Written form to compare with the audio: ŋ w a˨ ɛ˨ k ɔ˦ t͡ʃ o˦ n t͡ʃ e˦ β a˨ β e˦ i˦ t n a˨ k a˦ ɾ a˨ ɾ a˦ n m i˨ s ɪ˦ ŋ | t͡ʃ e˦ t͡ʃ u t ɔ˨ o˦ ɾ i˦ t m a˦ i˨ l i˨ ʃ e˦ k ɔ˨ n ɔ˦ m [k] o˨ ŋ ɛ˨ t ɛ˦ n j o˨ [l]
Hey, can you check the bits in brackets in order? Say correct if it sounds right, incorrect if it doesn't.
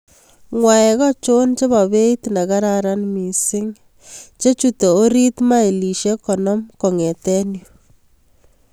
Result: correct, incorrect: none

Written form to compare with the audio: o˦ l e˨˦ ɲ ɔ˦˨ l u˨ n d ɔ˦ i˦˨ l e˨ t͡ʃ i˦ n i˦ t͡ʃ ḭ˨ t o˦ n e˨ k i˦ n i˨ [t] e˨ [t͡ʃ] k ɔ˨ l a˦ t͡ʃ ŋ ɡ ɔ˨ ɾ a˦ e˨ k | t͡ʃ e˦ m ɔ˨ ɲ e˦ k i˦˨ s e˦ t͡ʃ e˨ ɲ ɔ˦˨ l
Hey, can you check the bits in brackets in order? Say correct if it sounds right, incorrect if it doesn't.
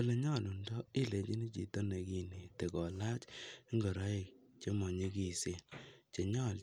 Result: correct, incorrect: none

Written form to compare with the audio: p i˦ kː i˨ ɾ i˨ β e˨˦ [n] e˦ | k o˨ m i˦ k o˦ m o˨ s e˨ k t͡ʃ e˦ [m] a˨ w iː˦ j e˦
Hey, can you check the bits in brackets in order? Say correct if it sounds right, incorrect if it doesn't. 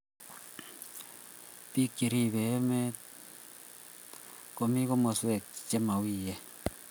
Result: incorrect: m, correct

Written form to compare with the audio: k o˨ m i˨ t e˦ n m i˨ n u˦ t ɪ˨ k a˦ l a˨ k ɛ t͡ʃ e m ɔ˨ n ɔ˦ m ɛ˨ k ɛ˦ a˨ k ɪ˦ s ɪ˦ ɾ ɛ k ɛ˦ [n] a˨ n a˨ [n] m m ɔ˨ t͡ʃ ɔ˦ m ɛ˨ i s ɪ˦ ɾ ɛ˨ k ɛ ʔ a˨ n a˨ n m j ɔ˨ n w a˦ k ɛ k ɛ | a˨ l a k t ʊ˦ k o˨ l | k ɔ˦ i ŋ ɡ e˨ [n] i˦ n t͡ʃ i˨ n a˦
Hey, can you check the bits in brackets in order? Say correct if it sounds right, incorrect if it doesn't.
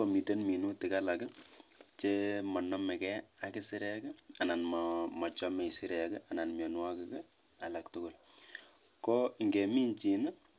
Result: incorrect: none, correct, incorrect: m

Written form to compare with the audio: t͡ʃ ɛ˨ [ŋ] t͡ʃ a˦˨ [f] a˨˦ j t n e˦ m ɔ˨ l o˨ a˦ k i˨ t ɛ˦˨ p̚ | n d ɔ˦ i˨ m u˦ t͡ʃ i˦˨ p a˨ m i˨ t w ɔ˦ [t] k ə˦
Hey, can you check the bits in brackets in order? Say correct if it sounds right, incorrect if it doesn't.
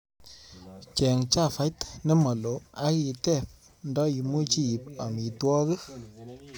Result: correct, correct, incorrect: none

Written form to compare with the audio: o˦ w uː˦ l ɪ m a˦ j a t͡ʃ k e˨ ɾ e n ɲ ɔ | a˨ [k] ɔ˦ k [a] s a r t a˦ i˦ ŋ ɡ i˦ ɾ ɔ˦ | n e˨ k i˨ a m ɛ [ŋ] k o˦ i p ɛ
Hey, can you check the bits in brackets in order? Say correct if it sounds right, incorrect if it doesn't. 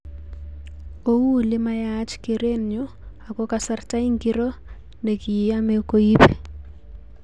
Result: correct, correct, incorrect: none

